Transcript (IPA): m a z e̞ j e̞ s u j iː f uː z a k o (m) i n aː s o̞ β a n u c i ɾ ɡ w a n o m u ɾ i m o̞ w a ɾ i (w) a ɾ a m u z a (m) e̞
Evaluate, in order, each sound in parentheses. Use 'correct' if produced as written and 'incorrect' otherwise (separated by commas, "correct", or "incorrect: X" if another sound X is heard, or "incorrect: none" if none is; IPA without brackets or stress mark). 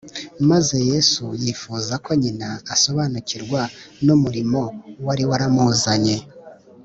incorrect: ɲ, correct, incorrect: ɲ